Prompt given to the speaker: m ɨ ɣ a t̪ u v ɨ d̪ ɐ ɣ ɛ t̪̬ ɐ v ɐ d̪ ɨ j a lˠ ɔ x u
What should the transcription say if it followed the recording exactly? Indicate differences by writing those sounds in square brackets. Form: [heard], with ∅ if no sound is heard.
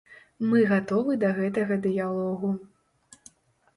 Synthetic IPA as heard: m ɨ ɣ a t̪ [ɔ] v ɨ d̪ ɐ ɣ ɛ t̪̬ ɐ [ɣ] ɐ d̪ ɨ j a lˠ ɔ [ɣ] u